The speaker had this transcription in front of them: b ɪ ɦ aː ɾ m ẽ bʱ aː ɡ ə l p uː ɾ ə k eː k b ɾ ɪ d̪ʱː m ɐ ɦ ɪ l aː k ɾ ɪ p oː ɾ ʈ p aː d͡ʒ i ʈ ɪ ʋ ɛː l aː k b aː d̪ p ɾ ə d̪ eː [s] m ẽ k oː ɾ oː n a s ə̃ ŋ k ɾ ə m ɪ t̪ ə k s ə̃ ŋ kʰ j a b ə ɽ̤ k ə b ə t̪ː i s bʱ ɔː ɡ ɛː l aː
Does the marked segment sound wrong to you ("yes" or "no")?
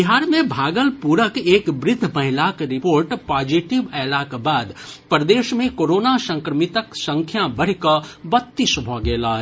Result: yes